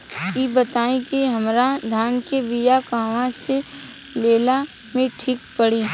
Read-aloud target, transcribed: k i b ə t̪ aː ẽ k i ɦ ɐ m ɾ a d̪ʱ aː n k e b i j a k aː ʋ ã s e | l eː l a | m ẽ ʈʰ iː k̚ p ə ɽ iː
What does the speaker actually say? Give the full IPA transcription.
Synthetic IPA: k i b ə t̪ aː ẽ k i ɦ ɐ m ɾ a d̪ʱ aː n k e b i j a k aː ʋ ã s e | l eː l a | m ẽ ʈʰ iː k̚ p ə ɽ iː